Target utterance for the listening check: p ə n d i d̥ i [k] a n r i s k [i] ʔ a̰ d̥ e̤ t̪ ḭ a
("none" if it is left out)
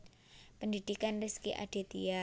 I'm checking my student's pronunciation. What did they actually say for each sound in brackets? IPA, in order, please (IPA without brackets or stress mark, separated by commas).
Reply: k, i